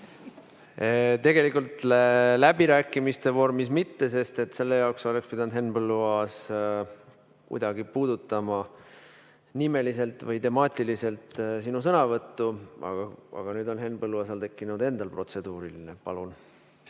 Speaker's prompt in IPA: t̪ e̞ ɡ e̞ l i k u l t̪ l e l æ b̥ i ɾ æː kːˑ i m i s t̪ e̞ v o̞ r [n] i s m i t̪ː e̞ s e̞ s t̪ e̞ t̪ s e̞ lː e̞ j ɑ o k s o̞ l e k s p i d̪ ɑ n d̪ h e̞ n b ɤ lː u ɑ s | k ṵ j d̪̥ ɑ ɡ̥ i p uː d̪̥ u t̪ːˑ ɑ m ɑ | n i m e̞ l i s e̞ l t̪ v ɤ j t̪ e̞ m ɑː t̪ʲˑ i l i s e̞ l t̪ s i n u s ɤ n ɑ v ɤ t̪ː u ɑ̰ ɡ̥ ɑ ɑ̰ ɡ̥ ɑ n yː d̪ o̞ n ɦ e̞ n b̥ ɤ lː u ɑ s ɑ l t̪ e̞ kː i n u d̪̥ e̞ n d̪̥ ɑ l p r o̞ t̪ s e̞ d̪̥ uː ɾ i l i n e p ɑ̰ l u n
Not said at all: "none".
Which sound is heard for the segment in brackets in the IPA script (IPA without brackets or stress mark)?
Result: m